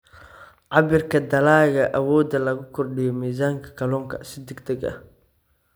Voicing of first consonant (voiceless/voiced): voiced